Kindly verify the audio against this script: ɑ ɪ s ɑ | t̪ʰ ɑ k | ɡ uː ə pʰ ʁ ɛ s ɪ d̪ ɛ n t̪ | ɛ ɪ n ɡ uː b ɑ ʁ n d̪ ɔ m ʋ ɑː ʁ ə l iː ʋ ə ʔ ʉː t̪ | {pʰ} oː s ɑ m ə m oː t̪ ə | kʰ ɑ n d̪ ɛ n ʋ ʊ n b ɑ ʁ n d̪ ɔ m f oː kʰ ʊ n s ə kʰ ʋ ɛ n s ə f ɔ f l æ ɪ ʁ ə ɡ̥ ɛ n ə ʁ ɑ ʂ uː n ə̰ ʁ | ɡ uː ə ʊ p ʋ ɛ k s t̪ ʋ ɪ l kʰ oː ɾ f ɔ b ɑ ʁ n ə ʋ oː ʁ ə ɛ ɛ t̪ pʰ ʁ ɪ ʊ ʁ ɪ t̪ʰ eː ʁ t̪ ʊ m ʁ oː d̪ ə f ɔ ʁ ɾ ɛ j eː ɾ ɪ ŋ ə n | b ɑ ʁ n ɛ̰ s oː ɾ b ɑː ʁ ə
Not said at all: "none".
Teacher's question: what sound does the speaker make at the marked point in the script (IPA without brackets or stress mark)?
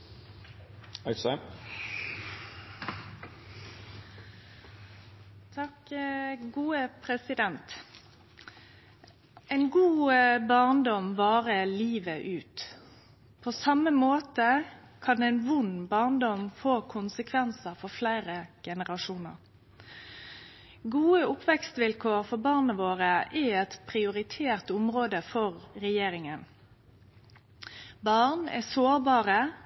pʰ